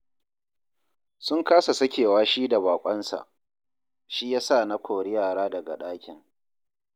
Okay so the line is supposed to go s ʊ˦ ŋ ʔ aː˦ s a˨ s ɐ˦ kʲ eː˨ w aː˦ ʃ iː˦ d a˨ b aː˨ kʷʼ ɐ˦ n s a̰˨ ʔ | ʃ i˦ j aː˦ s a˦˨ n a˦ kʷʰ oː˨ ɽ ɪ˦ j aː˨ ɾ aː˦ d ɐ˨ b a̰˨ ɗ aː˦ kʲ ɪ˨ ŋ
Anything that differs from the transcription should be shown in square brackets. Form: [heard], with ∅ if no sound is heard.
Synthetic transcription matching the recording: s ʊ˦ ŋ [k] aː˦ s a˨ s ɐ˦ kʲ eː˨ w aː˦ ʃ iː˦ d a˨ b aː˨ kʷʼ ɐ˦ n s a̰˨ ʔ | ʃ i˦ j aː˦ s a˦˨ n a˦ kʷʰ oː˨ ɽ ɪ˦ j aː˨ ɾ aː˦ d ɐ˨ [ɡ] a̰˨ ɗ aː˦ kʲ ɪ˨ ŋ